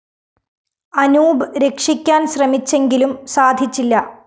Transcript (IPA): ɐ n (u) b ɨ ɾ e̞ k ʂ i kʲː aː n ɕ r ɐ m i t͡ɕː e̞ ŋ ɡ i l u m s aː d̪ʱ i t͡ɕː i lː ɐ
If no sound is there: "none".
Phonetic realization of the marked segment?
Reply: uː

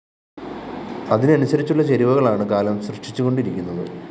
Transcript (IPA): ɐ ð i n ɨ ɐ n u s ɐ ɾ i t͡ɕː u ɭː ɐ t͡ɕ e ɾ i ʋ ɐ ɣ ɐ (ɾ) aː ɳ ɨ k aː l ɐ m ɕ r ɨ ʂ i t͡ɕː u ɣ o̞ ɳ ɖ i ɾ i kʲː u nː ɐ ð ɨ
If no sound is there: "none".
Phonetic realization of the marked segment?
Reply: ɭ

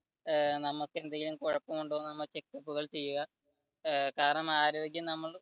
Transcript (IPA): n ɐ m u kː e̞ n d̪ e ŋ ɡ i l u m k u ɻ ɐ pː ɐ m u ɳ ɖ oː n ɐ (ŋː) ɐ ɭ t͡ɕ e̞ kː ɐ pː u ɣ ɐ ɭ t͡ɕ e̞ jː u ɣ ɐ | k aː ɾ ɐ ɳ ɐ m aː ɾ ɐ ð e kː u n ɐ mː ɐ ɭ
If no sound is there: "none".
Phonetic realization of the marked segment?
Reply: mː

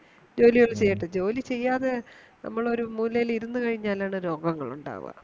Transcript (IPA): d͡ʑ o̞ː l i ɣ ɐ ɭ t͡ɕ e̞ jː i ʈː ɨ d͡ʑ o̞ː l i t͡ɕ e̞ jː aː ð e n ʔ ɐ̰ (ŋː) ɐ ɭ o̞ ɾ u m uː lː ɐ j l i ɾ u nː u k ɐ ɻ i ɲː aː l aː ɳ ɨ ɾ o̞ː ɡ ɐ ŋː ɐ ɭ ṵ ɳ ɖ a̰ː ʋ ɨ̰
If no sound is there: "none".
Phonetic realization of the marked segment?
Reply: mː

